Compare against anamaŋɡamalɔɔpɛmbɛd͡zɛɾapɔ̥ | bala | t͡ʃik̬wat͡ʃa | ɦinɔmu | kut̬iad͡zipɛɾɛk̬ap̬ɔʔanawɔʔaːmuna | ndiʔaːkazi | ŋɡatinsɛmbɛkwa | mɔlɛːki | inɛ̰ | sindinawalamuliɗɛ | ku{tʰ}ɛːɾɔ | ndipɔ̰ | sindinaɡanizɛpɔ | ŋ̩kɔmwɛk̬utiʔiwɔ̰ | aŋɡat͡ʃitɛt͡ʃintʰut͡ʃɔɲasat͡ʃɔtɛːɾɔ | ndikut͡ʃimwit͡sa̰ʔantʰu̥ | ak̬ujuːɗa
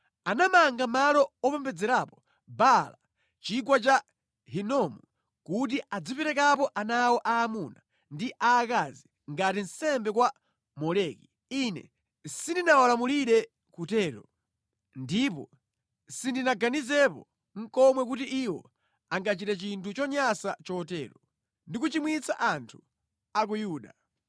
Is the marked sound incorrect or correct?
incorrect